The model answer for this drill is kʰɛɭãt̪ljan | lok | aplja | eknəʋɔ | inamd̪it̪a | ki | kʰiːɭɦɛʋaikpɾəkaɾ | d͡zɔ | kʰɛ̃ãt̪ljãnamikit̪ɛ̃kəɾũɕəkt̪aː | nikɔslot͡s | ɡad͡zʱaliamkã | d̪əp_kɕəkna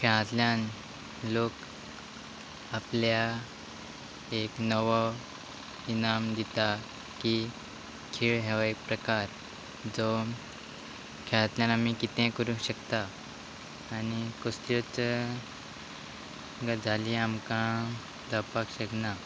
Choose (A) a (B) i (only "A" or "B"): A